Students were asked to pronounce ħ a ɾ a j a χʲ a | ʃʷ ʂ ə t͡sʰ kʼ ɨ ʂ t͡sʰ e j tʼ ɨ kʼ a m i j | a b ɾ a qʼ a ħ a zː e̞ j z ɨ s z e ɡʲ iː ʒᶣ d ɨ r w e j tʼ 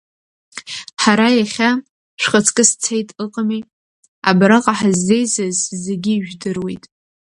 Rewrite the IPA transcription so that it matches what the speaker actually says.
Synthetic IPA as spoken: ħ a ɾ a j a χʲ a | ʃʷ χ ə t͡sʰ kʼ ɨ s t͡sʰ e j tʼ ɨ qʼ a m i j | a b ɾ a qʼ a ħ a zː e̞ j z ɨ z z e ɡʲ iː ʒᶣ d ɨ r w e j tʼ